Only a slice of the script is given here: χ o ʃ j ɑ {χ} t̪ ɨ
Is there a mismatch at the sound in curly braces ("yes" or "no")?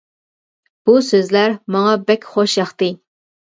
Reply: no